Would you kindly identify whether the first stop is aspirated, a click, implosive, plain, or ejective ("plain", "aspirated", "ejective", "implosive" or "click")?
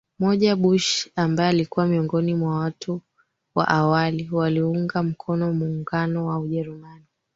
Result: implosive